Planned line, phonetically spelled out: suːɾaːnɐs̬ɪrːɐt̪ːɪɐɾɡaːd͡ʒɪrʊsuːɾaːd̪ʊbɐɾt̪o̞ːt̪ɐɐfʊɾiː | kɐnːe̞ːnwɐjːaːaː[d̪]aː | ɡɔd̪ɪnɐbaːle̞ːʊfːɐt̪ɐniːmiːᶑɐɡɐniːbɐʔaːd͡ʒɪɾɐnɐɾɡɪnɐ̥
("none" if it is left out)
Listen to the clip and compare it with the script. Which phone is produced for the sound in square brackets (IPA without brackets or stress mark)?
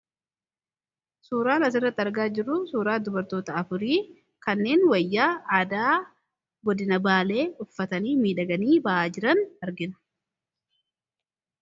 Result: d̪